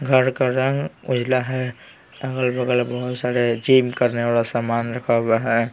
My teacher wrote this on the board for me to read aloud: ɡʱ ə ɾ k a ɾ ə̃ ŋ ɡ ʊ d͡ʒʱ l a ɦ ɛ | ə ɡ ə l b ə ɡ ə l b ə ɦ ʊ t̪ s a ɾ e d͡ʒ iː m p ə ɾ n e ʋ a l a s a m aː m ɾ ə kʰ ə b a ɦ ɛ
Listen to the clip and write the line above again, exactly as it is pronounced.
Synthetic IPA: ɡʱ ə ɾ k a ɾ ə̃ ŋ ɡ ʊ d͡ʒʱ l a ɦ ɛ | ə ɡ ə l b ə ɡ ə l b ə ɦ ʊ t̪ s a ɾ e d͡ʒ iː m k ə ɾ n e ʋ a l a s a m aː n ɾ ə kʰ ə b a ɦ ɛ

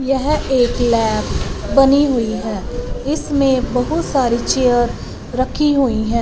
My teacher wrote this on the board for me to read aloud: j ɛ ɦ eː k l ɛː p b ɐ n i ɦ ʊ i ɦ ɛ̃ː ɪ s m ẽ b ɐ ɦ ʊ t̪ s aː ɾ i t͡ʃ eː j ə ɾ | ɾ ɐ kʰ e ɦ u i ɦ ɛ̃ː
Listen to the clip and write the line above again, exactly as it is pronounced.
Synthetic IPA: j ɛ ɦ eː k l ɛː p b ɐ n i ɦ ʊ i ɦ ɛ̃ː ɪ s m ẽ b ɐ ɦ ʊ t̪ s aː ɾ i t͡ʃ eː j ə ɾ | ɾ ɐ kʰ i ɦ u i ɦ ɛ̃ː

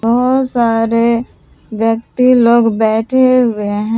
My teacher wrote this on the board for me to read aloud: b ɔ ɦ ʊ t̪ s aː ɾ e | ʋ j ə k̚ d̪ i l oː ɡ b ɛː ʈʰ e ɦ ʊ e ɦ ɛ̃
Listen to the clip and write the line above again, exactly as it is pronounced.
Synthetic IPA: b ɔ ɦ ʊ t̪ s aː ɾ e | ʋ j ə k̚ t̪ i l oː ɡ b ɛː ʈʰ e ɦ ʊ e ɦ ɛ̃

